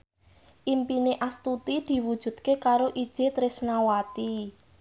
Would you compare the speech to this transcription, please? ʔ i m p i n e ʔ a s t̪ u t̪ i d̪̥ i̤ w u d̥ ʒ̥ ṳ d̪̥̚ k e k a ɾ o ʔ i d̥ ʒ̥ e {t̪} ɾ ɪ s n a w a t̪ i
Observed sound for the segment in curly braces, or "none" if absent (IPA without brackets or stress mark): t̪